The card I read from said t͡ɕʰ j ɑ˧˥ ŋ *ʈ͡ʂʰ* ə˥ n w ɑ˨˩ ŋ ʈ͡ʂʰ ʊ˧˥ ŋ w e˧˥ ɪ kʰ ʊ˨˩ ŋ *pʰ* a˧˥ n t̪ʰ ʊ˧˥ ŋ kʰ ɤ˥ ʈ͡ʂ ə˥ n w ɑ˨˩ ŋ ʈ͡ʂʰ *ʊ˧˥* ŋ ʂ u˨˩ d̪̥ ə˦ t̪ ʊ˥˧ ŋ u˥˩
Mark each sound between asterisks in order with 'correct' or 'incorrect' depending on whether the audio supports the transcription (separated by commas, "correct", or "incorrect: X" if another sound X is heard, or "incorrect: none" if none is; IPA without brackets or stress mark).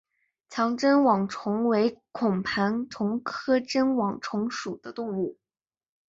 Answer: incorrect: ʈ͡ʂ, correct, correct